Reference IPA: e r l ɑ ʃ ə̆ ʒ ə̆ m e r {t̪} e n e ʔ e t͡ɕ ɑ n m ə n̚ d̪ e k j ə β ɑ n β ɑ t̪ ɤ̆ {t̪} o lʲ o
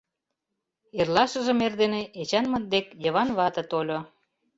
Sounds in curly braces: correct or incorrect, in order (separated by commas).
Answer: incorrect, correct